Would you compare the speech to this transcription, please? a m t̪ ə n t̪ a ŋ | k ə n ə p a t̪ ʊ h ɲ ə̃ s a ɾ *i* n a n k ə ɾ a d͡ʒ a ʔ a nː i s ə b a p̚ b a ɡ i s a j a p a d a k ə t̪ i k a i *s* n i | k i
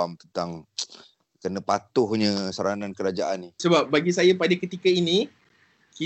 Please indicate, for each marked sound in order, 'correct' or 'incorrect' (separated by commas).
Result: incorrect, incorrect